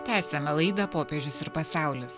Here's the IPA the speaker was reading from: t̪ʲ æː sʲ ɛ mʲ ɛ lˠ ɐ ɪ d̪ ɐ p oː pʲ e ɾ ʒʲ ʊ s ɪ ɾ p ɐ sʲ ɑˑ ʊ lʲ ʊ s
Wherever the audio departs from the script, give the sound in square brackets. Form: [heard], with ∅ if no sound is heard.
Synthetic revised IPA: t̪ʲ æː sʲ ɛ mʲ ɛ lˠ ɐ ɪ d̪ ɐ p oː pʲ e [∅] ʒʲ ʊ s ɪ ɾ p ɐ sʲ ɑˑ ʊ lʲ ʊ s